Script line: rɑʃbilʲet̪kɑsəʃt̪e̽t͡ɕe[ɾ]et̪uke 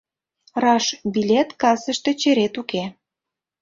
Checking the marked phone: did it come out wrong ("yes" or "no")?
no